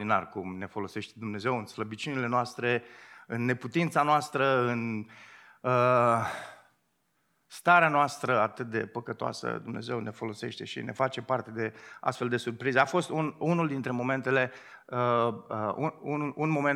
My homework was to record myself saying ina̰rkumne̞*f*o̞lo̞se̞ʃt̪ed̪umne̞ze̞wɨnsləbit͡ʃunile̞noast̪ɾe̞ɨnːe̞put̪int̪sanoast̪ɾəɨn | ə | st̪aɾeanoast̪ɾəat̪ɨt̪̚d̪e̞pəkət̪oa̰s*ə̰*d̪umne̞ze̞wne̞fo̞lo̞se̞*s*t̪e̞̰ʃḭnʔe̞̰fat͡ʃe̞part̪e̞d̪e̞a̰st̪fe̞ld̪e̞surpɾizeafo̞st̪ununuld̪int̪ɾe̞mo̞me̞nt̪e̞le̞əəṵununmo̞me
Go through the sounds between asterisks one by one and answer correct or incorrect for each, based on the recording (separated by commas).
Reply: correct, correct, incorrect